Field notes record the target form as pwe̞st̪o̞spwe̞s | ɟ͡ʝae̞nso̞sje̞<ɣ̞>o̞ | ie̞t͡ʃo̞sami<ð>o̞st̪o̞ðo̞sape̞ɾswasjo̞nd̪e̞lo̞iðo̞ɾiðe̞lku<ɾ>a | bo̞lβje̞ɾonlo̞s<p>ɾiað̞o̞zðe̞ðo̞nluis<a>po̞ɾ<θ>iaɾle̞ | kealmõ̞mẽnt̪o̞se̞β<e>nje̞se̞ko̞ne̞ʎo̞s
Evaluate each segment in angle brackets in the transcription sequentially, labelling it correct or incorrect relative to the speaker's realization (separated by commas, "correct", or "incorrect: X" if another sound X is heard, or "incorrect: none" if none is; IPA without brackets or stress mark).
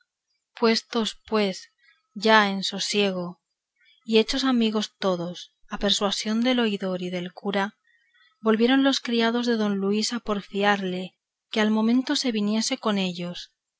correct, incorrect: ɣ, correct, incorrect: k, correct, incorrect: f, incorrect: i